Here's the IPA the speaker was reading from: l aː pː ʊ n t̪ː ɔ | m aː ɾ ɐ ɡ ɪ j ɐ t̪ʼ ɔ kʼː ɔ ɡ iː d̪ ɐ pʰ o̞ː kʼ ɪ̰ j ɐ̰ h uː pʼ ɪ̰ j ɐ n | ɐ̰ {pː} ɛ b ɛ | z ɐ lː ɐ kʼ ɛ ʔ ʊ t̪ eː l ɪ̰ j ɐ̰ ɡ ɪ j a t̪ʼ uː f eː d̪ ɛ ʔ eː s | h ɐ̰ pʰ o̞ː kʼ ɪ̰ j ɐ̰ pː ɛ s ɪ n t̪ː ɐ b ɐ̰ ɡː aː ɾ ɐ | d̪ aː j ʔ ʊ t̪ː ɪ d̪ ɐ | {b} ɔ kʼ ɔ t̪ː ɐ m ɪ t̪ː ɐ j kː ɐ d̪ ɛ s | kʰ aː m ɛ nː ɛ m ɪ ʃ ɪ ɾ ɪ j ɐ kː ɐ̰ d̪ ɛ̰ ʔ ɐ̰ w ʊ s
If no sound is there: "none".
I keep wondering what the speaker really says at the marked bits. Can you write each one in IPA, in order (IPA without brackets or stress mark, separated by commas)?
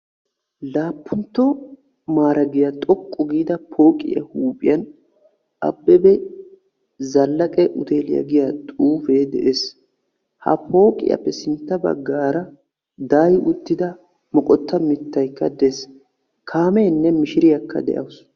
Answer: bː, m